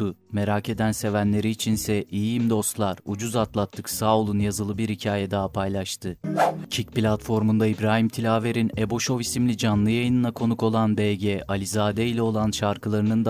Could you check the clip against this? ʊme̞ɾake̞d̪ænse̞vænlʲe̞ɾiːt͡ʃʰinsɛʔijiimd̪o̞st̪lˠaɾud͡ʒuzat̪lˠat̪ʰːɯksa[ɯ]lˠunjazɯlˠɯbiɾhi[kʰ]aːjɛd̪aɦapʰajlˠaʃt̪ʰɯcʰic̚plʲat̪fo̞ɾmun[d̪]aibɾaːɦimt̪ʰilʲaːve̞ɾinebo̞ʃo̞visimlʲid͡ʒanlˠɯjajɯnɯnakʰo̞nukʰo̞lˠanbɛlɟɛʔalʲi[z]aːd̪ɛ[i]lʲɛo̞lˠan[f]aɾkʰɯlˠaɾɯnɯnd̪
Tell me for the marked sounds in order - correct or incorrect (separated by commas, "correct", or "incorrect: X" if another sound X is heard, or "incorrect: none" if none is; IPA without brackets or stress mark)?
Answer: incorrect: u, incorrect: cʰ, correct, correct, correct, incorrect: ʃ